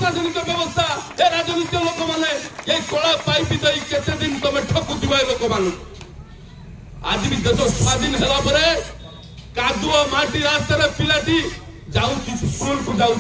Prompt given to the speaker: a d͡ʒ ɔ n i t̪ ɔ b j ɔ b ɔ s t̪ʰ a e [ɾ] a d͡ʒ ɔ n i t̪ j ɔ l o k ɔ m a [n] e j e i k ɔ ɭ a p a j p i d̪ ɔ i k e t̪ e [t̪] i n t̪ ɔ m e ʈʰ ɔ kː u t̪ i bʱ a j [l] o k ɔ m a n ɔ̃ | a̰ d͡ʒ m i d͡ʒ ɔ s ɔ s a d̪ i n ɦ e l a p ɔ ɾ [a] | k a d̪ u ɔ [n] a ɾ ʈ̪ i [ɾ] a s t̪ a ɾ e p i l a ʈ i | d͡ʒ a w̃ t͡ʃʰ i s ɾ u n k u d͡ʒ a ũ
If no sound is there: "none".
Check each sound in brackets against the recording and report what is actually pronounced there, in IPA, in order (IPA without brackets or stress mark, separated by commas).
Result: ɾ, n, d̪, l, e, m, ɾ